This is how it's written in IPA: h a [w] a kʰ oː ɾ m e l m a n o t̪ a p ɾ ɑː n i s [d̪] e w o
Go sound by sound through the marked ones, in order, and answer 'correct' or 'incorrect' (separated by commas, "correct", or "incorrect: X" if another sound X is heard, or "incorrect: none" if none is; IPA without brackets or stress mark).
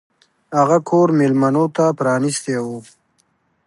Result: incorrect: ɣ, incorrect: t̪